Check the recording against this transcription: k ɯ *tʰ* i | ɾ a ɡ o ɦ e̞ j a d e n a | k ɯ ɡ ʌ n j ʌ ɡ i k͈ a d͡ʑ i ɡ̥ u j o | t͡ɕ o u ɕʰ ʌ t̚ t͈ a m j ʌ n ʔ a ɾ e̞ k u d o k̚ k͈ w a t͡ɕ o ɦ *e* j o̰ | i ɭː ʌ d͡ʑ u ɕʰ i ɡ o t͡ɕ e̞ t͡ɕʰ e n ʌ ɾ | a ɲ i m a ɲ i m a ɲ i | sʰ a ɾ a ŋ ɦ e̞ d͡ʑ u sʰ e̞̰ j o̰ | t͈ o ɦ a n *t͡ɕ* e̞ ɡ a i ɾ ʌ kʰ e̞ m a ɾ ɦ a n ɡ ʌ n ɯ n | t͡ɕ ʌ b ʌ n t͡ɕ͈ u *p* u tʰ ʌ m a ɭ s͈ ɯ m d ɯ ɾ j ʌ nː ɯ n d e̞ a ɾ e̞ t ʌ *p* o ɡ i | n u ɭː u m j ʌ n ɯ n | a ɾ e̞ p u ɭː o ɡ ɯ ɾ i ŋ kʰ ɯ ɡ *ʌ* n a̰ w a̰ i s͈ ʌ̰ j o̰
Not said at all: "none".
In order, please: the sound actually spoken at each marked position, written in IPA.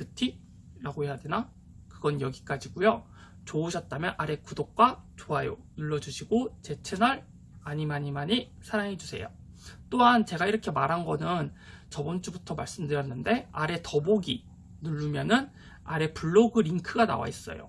tʰ, a, t͡ɕ, b, b, a

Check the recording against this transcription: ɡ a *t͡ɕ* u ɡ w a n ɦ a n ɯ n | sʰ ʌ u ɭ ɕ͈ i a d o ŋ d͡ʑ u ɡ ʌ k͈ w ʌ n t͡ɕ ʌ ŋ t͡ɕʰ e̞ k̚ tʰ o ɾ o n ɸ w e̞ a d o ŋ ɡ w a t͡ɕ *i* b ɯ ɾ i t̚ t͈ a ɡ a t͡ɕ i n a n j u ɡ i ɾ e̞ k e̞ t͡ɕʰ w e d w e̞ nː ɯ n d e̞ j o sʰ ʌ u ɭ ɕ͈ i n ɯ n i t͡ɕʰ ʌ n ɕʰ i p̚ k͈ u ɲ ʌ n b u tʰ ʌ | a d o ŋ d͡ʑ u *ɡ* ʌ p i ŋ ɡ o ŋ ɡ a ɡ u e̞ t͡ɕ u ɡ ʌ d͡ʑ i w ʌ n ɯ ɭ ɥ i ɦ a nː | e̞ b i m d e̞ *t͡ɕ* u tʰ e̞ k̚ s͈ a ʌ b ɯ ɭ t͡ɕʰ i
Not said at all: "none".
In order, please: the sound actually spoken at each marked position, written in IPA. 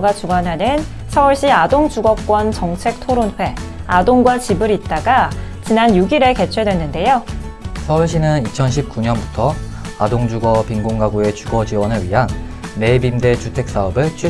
t͡ɕ, i, ɡ, t͡ɕ

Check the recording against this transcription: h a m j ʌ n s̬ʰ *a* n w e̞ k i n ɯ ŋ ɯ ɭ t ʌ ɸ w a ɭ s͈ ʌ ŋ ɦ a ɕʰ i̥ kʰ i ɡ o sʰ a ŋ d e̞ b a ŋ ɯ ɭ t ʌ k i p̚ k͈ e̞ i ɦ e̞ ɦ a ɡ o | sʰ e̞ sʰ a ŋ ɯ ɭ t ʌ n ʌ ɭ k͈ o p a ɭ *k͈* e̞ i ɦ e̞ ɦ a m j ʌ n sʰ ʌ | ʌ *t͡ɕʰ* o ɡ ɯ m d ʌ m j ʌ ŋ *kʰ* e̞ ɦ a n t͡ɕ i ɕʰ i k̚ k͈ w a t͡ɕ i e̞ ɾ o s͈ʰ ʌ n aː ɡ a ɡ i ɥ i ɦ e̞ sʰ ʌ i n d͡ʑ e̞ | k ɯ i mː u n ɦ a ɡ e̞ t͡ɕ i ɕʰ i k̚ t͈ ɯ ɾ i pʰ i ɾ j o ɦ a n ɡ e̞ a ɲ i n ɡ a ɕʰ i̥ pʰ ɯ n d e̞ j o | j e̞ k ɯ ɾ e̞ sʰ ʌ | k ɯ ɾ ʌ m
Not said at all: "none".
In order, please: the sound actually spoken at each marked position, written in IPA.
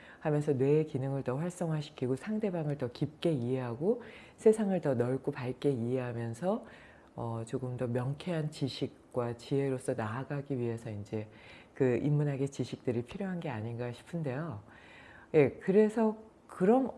ʌ, k͈, t͡ɕ, kʰ

